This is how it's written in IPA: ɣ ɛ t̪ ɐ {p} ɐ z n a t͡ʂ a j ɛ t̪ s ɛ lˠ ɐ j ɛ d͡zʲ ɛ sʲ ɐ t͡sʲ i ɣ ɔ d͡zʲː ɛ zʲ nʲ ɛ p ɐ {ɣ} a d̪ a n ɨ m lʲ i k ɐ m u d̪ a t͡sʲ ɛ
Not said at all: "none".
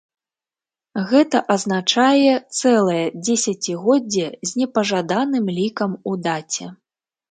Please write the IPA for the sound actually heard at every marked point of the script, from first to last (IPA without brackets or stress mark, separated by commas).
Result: ʔ, ʐ